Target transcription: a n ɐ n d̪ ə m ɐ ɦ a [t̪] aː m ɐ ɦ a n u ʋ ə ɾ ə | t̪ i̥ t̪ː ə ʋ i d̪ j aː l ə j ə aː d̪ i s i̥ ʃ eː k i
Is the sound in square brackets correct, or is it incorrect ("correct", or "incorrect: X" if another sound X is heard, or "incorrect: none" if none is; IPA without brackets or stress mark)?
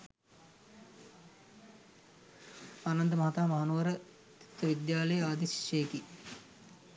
correct